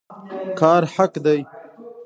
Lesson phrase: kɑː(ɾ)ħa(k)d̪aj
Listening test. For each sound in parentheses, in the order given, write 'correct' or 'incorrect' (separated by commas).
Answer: correct, correct